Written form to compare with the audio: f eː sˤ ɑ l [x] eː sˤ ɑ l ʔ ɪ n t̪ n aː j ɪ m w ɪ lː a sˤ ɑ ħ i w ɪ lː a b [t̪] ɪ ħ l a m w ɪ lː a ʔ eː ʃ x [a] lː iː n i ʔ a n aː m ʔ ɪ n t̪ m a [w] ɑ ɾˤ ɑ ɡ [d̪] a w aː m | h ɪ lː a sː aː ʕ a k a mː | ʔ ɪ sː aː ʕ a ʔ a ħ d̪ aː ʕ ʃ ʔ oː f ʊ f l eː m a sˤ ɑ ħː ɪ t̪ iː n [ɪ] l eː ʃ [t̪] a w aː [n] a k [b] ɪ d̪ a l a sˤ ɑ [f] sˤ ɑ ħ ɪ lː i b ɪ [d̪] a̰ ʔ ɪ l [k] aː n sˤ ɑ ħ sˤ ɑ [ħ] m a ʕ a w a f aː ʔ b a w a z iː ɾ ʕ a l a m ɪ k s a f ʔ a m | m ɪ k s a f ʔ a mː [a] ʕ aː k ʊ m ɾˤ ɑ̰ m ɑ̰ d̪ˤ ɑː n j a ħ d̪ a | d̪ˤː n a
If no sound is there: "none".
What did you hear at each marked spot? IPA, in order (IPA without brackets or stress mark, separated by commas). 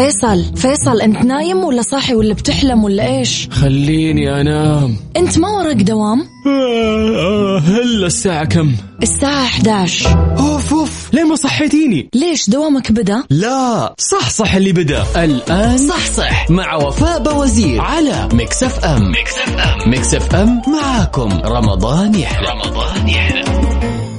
f, t̪, a, w, d̪, i, d̪, m, b, ħ, d̪, ʔ, ħ, a